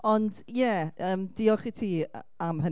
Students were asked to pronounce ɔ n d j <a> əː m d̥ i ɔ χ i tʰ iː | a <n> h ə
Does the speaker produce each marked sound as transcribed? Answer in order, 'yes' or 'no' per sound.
no, no

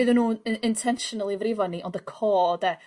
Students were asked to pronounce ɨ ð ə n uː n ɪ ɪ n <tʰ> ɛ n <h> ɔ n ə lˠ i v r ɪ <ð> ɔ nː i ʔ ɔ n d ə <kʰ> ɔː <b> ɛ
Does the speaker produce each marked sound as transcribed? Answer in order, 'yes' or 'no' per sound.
yes, no, no, yes, no

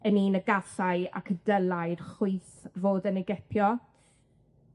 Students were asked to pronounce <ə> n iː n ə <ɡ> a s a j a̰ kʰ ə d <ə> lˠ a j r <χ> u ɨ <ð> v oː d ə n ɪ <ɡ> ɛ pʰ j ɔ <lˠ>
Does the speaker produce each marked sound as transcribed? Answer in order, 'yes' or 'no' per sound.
yes, yes, yes, yes, no, yes, no

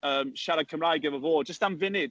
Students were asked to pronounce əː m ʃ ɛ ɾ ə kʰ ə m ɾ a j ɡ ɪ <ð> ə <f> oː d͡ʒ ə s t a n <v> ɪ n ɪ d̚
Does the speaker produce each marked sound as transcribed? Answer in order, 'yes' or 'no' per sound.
no, no, yes

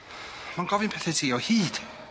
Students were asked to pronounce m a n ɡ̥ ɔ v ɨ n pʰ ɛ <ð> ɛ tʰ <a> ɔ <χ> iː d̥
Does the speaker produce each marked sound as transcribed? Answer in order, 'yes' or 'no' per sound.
no, no, no

